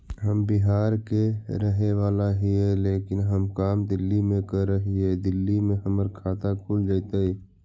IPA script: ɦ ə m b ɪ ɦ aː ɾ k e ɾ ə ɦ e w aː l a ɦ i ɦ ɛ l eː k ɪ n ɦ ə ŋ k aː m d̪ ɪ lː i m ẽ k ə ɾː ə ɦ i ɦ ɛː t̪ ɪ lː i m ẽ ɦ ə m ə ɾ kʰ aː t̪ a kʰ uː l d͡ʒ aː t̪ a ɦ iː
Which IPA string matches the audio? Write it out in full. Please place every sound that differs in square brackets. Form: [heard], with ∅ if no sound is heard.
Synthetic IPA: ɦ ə m b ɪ ɦ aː ɾ k e ɾ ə ɦ e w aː l a ɦ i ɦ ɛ l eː k ɪ n ɦ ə [m] k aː m d̪ ɪ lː i m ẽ k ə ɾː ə ɦ i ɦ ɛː [d̪] ɪ lː i m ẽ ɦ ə m ə ɾ kʰ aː t̪ a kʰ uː l d͡ʒ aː t̪ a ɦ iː